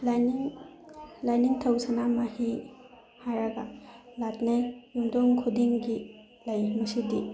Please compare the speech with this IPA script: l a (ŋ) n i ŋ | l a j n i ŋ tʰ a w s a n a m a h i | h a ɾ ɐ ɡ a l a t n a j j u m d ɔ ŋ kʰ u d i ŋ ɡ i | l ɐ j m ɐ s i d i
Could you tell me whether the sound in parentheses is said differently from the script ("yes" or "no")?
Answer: yes